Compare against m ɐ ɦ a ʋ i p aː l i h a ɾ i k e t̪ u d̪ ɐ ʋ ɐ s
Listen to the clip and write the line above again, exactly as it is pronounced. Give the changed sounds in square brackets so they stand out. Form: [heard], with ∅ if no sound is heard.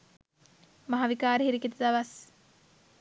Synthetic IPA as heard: m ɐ ɦ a ʋ i [k] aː [ɾ] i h [i] ɾ i k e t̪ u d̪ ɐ ʋ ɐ s